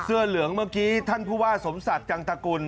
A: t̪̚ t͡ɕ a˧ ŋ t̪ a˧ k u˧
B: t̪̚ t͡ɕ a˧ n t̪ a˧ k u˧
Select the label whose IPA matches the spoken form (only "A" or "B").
A